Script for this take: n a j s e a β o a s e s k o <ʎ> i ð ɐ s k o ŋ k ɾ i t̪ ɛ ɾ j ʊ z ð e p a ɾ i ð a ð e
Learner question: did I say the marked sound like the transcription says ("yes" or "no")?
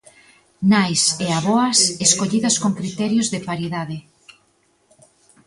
yes